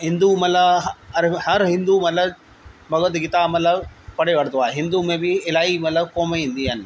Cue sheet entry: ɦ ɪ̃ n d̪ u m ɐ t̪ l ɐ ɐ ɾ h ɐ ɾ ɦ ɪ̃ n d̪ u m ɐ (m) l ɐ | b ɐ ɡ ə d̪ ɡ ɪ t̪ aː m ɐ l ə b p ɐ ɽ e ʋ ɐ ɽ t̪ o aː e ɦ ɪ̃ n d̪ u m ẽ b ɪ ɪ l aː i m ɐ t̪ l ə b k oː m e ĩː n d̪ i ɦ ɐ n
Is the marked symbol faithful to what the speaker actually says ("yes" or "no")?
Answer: no